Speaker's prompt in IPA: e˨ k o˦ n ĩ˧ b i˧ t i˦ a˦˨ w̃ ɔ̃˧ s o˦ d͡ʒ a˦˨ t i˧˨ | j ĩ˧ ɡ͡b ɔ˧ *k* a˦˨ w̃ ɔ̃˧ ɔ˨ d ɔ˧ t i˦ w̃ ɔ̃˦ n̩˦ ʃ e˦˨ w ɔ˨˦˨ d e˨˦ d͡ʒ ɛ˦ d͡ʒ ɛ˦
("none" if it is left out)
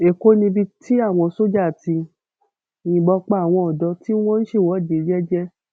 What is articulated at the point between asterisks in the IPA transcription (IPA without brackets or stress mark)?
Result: k͡p